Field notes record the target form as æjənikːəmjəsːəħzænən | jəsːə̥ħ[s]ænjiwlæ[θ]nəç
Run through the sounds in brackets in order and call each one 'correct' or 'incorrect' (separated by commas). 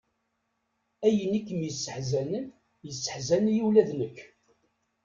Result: incorrect, incorrect